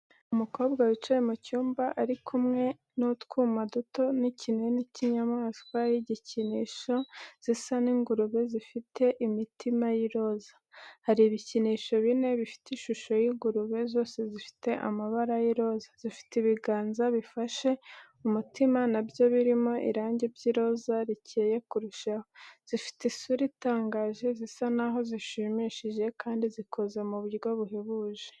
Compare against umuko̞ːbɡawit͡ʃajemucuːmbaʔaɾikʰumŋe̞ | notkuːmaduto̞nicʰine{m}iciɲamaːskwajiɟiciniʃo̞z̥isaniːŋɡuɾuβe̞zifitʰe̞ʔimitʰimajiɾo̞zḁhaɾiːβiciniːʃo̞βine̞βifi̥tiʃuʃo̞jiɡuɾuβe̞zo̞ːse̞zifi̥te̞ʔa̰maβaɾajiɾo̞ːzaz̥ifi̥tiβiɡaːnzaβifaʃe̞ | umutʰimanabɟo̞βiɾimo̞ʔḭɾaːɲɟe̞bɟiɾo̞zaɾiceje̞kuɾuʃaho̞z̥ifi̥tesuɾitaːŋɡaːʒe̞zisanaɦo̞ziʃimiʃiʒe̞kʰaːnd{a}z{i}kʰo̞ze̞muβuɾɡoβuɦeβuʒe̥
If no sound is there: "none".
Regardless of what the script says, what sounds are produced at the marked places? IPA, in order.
n, i, i

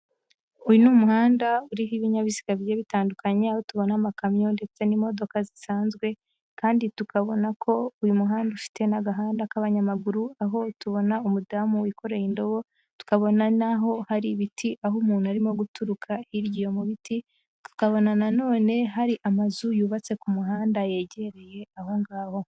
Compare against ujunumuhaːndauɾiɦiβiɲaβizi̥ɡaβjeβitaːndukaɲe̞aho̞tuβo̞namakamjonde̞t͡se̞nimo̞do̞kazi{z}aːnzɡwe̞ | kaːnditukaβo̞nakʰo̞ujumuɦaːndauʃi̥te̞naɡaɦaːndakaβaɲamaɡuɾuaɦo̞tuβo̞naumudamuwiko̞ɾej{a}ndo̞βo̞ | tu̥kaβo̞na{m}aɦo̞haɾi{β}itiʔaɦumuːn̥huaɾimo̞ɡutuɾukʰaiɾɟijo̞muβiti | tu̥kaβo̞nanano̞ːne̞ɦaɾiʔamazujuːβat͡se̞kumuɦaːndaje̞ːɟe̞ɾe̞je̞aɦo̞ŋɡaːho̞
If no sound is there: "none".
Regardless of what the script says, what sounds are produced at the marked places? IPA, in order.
s, i, n, β

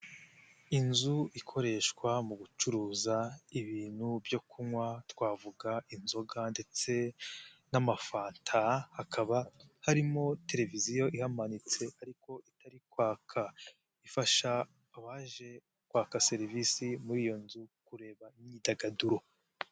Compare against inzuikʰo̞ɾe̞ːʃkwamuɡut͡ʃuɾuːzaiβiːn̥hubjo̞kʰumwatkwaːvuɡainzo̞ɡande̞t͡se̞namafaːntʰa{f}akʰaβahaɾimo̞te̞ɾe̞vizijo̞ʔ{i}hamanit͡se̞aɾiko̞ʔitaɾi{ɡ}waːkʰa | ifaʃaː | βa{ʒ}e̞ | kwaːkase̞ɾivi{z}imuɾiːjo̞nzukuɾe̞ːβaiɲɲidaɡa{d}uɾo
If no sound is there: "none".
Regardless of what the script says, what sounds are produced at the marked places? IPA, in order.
h, i, k, ʒ, s, d

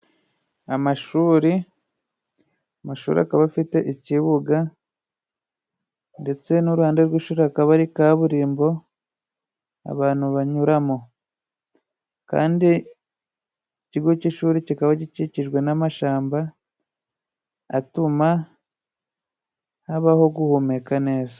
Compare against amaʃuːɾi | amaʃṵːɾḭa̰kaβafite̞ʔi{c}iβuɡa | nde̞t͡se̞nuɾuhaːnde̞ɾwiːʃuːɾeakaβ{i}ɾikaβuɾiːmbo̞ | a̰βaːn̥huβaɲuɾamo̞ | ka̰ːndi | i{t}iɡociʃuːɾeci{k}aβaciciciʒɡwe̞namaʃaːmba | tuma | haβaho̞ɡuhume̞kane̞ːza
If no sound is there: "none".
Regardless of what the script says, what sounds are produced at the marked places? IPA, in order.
c, a, c, k

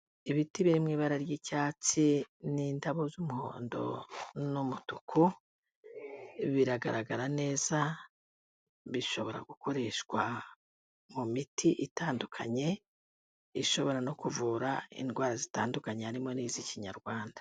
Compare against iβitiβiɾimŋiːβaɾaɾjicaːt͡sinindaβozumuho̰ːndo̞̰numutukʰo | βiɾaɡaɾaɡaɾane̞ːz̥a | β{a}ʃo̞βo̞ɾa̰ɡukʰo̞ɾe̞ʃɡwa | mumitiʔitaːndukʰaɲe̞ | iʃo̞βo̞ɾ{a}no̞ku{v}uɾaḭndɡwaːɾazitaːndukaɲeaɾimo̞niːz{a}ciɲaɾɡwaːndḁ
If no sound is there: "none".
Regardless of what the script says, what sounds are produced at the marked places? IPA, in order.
i, a, v, i

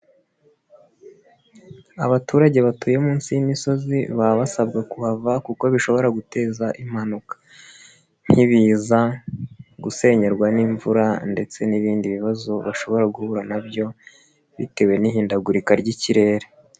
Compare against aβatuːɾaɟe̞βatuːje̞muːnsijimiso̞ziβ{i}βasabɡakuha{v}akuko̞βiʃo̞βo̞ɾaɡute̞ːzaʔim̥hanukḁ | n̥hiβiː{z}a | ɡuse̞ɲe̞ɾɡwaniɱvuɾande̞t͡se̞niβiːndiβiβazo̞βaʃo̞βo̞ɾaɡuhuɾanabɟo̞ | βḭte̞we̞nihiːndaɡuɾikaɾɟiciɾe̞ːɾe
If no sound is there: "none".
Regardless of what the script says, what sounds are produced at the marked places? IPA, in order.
a, v, z

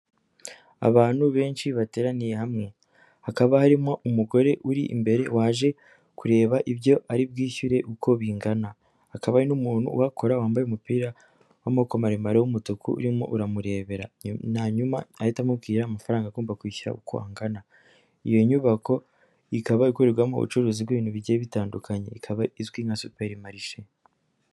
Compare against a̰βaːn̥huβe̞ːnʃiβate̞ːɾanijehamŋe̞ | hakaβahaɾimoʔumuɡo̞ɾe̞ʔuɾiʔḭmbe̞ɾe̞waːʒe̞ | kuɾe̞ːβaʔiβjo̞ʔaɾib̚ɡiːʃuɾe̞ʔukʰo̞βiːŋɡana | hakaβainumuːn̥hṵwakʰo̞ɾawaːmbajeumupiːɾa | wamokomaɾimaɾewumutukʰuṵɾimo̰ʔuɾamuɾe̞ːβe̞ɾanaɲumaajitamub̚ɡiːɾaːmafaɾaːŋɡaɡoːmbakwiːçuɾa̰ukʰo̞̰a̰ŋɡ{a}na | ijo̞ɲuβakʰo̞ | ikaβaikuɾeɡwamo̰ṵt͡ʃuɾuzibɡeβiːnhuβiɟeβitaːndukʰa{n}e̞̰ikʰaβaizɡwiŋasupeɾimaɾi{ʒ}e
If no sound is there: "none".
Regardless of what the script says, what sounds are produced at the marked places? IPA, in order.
a, ɲ, ʃ

